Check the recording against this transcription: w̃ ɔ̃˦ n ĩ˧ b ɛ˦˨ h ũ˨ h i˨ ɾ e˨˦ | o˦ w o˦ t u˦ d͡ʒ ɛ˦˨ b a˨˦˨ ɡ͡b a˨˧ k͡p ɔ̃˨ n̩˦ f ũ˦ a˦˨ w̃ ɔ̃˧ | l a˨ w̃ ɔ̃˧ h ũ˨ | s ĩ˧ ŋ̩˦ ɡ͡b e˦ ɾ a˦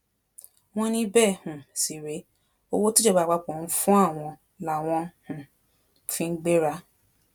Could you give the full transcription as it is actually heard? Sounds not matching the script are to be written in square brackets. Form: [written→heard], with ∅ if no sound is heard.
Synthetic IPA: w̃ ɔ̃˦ n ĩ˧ b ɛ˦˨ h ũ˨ [h→s] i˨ ɾ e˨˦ | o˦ w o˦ t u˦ d͡ʒ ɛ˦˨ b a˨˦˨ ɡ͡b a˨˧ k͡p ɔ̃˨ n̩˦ f ũ˦ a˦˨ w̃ ɔ̃˧ | l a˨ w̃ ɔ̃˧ h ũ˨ | [s→f] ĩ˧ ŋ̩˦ ɡ͡b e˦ ɾ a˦